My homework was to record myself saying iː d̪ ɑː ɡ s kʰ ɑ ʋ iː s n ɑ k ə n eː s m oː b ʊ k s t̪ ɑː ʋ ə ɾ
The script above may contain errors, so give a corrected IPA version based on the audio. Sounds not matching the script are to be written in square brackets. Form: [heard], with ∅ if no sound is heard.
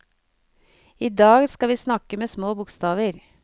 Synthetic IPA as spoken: iː d̪ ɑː ɡ s [k] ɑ ʋ iː s n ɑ k ə [m] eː s m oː b ʊ k s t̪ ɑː ʋ ə ɾ